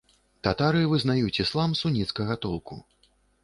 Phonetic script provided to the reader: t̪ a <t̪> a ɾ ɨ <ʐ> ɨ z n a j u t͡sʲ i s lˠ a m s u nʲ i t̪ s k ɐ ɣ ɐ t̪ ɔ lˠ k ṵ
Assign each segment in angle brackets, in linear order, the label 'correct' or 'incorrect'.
correct, incorrect

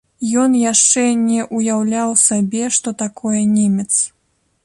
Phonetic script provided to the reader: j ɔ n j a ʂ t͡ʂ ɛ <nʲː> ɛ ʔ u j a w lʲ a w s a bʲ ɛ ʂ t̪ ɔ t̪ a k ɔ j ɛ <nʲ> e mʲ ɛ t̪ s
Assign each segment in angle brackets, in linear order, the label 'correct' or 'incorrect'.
incorrect, correct

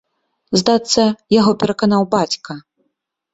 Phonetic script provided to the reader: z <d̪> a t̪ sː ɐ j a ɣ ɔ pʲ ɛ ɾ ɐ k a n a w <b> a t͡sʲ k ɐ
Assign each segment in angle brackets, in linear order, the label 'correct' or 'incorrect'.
correct, correct

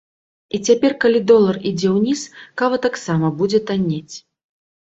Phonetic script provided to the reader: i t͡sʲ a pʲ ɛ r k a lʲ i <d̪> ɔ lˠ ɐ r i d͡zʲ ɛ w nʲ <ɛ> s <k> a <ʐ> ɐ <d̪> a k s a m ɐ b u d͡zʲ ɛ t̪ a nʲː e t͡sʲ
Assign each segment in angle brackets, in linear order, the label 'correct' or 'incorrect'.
correct, incorrect, correct, incorrect, incorrect

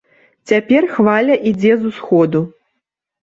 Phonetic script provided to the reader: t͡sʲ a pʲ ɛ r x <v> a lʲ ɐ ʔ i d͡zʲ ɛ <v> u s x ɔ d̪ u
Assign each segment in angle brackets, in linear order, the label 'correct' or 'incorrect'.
correct, incorrect

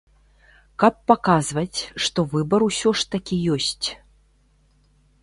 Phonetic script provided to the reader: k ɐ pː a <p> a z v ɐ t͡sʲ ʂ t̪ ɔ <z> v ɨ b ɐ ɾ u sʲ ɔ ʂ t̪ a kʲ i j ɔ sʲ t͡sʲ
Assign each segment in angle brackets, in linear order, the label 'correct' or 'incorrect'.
incorrect, incorrect

